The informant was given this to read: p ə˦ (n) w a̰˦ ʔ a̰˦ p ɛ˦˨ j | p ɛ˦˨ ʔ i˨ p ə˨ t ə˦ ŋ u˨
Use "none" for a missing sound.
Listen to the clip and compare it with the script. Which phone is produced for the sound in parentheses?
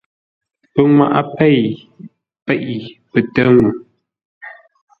ŋ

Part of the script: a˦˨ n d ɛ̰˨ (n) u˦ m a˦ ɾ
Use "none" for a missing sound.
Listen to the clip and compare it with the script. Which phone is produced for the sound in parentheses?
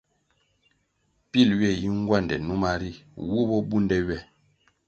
n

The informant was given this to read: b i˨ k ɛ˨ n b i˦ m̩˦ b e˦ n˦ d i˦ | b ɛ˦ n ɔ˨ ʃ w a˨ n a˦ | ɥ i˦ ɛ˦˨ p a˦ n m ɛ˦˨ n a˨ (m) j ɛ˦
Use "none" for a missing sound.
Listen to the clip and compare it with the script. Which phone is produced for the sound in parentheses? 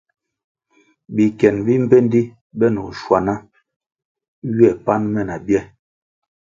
b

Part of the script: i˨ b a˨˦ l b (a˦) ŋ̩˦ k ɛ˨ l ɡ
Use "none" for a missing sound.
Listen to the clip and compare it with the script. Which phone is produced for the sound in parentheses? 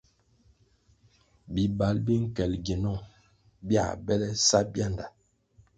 i˦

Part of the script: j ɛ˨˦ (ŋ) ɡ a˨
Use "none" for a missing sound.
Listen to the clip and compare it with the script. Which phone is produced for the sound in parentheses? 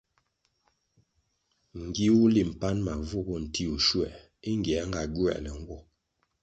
ŋ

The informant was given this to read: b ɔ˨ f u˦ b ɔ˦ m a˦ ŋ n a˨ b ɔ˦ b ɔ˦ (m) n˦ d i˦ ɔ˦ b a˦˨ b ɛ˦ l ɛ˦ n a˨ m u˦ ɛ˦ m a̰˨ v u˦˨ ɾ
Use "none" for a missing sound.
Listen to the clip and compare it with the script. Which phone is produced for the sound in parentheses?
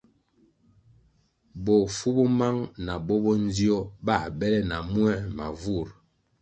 none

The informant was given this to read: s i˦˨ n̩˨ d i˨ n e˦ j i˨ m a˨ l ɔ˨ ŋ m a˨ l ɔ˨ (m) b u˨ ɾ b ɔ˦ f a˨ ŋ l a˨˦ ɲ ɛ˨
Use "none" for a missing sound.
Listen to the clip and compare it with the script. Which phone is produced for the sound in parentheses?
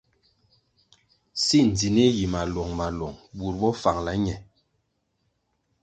ŋ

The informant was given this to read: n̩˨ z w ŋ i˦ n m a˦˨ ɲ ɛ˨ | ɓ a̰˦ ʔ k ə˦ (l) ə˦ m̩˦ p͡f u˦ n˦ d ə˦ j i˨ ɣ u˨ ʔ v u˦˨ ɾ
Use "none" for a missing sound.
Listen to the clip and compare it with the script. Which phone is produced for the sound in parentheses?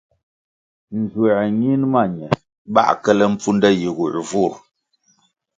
l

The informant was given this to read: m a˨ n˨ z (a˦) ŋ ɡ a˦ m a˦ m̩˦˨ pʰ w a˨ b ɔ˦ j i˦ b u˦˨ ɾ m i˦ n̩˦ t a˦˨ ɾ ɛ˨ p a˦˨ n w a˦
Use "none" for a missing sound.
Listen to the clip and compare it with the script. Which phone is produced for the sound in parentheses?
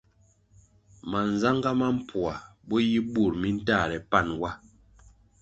a˦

